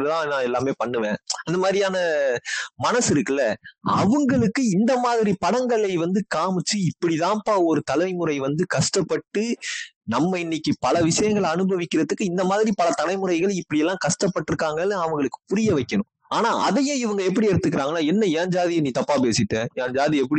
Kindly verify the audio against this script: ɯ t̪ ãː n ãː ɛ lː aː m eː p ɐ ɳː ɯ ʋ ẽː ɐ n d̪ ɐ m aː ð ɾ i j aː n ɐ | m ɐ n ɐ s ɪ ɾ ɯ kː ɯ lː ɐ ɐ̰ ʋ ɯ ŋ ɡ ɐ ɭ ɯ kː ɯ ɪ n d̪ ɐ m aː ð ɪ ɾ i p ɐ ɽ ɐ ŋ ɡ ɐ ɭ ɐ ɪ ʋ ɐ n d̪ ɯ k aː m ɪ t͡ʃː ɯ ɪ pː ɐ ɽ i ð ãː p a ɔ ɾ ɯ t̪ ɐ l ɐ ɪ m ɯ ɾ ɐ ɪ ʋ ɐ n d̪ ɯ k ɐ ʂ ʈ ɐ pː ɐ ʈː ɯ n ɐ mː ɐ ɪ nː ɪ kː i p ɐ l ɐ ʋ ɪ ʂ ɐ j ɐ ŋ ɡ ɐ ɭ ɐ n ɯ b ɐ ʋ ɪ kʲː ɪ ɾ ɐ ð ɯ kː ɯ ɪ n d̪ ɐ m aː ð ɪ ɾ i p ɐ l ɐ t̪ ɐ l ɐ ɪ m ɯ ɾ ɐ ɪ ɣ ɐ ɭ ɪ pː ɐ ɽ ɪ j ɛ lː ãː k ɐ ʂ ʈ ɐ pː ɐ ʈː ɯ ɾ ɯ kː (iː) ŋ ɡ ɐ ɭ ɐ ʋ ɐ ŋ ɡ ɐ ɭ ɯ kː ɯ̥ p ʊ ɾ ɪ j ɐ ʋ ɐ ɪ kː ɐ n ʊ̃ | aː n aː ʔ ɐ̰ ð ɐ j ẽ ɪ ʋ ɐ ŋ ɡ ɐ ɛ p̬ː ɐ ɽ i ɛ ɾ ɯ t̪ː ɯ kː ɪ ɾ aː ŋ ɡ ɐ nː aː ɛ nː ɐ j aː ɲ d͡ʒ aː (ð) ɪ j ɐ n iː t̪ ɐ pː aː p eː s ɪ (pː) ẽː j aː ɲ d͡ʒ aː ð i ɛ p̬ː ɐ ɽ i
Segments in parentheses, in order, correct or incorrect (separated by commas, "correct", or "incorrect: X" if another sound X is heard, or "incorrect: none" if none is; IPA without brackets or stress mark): incorrect: aː, correct, incorrect: ʈː